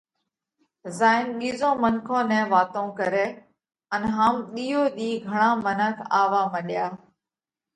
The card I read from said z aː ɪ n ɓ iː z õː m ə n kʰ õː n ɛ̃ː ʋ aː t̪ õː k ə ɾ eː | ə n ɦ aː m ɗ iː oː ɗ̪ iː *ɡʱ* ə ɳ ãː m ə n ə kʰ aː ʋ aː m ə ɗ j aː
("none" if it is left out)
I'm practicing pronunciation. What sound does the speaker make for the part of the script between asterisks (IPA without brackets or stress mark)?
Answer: ɡʱ